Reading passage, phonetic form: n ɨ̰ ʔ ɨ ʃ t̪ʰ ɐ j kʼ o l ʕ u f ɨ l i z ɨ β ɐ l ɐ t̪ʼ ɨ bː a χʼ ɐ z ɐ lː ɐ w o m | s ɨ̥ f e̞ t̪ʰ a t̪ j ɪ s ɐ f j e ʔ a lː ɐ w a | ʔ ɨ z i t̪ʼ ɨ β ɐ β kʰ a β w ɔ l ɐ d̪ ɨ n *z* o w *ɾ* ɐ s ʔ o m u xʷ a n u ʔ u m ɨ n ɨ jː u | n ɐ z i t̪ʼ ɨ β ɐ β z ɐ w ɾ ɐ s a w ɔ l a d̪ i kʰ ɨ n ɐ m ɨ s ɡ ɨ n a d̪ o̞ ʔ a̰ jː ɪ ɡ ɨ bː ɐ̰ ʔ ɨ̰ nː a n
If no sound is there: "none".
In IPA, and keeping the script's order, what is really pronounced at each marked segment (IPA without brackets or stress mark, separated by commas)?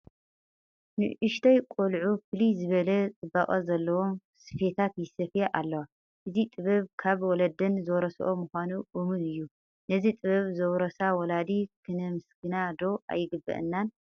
z, ɾ